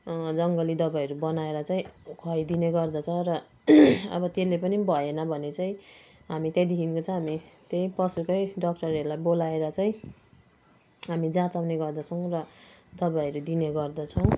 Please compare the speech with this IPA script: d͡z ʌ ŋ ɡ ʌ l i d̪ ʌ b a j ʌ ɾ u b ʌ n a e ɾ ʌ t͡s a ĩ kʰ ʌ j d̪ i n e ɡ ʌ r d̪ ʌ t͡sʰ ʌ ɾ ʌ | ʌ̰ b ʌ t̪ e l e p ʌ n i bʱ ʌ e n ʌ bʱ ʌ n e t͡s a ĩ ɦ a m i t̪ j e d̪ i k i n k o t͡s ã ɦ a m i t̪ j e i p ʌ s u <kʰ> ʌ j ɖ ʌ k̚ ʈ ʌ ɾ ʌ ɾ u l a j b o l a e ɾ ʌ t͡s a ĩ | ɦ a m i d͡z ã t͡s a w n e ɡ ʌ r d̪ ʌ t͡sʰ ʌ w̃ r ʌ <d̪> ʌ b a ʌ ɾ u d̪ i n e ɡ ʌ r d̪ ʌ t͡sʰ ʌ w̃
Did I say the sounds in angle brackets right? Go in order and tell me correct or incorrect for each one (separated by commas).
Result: incorrect, correct